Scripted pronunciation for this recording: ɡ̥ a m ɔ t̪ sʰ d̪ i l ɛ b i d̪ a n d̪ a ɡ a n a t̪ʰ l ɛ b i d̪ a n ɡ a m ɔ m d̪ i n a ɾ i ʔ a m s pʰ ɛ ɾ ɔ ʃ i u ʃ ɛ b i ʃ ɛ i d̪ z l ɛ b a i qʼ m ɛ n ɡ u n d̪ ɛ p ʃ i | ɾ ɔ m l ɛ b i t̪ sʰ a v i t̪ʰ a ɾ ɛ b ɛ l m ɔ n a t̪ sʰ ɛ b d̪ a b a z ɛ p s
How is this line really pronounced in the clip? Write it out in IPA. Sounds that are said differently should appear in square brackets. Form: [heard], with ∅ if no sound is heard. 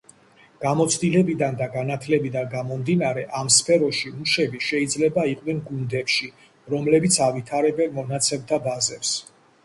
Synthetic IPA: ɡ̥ a m ɔ t̪ sʰ d̪ i l ɛ b i d̪ a n d̪ a ɡ a n a t̪ʰ l ɛ b i d̪ a n ɡ a m ɔ m d̪ i n a ɾ [ɛ] ʔ a m s pʰ ɛ ɾ ɔ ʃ i u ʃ ɛ b i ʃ ɛ i d̪ z l ɛ b a i qʼ [n] ɛ n ɡ u n d̪ ɛ p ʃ i | ɾ ɔ m l ɛ b i t̪ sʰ a v i t̪ʰ a ɾ ɛ b ɛ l m ɔ n a t̪ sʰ ɛ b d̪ a b a z ɛ p s